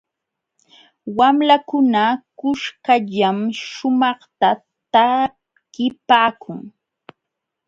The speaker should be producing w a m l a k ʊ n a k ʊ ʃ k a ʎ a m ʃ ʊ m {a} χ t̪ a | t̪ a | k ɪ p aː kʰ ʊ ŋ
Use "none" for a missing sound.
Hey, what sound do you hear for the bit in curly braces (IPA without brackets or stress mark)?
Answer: ɑ